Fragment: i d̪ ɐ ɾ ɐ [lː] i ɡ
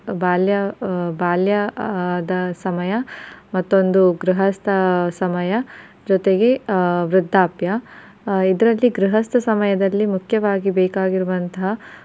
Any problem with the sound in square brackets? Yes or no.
no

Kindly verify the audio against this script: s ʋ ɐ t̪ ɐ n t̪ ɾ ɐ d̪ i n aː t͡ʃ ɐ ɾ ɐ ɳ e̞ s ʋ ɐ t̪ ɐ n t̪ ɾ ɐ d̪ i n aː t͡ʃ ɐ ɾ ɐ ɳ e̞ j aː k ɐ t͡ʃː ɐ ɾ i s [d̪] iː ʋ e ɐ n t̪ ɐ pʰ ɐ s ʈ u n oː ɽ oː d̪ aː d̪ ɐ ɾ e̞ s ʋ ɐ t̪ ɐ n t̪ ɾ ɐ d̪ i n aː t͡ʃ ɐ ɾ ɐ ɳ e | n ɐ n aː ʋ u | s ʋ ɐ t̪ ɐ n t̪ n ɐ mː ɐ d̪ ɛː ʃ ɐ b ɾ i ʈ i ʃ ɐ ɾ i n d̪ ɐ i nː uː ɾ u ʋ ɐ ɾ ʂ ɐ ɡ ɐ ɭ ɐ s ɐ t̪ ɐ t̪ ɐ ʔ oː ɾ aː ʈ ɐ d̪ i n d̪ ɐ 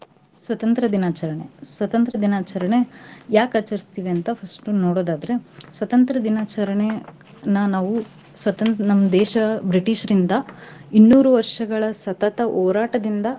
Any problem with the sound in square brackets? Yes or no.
yes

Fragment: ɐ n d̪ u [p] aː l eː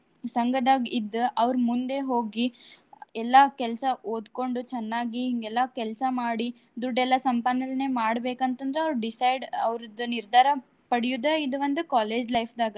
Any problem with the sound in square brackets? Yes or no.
yes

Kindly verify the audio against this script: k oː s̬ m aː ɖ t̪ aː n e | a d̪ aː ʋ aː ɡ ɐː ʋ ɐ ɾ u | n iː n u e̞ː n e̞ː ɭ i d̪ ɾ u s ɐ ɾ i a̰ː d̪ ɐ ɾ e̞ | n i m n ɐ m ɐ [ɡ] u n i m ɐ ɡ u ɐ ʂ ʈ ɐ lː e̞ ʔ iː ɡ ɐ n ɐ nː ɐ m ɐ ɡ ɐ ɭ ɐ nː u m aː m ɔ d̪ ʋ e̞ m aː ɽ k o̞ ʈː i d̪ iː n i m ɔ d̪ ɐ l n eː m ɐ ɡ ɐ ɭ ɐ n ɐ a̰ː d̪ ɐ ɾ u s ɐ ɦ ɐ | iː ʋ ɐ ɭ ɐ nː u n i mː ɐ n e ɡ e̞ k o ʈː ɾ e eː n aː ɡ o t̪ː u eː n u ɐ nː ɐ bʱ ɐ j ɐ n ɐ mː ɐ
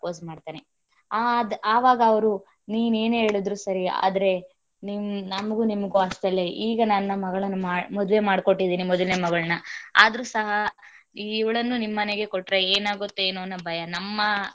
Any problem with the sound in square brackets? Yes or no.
no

